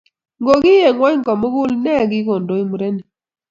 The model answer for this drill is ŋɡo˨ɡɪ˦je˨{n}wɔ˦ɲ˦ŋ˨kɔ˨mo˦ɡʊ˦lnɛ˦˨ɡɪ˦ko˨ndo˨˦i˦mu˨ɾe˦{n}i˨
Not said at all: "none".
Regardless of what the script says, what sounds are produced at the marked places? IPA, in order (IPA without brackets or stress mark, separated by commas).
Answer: ŋ, n